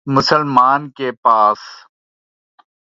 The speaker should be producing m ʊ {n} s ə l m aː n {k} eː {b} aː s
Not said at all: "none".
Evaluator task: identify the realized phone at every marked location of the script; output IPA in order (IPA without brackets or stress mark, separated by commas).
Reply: none, k, p